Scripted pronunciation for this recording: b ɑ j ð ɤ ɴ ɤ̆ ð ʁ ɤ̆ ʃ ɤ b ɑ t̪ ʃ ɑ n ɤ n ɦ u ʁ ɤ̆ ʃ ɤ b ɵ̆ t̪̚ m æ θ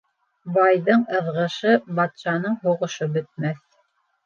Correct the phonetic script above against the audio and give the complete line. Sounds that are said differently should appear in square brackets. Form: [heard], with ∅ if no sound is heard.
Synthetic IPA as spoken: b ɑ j ð ɤ ɴ ɤ̆ ð ʁ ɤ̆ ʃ ɤ b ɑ t̪ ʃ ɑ n ɤ [ɴ] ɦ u ʁ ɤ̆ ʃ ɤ b ɵ̆ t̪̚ m æ θ